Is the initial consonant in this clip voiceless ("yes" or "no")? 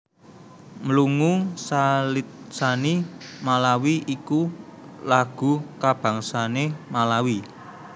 no